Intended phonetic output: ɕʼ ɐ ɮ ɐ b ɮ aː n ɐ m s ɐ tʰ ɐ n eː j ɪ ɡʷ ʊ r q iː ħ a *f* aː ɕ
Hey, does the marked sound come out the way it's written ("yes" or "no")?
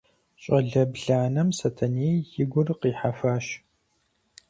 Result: yes